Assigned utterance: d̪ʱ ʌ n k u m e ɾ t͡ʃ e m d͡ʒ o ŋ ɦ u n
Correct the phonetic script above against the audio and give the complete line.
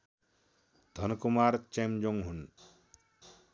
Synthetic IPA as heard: d̪ʱ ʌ n k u m a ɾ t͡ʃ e m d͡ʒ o ŋ ɦ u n